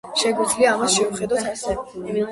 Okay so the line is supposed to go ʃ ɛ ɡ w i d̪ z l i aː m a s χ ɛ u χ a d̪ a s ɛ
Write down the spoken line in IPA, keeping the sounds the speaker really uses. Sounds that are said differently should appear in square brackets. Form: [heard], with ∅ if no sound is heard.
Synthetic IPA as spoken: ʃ ɛ ɡ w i d̪ z l i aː m a s [ʃ] ɛ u χ [ɛ] d̪ a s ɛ